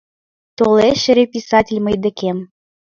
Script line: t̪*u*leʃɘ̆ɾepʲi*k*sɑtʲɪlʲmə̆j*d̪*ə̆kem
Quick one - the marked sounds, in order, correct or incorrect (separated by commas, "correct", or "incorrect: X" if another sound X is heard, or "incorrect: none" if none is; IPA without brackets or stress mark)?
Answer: incorrect: o, incorrect: none, correct